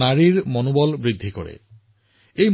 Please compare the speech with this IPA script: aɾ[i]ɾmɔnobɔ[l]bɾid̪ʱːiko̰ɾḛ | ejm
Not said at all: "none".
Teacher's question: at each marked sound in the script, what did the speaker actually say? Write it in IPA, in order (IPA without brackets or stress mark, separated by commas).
i, l